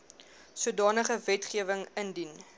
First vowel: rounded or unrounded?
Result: rounded